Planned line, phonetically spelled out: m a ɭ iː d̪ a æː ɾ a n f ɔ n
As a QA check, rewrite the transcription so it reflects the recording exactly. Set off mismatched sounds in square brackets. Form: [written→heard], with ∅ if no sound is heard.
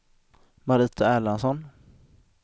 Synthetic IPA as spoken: m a [ɭ→ɾ] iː [d̪→t̪] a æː [ɾ→l] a n [f→s] ɔ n